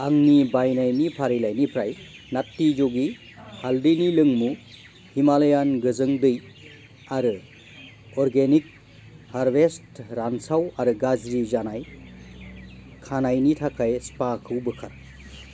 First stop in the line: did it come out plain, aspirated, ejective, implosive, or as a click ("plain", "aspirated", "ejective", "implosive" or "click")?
plain